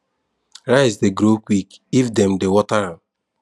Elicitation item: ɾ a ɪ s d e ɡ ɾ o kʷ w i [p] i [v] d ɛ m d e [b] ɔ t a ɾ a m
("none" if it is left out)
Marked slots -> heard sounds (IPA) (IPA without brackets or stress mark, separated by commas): k, f, w